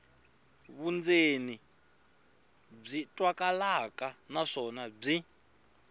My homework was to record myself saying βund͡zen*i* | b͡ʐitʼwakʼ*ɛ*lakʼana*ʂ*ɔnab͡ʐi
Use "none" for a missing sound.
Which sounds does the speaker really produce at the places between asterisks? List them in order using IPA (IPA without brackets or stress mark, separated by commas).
i, a, ʂ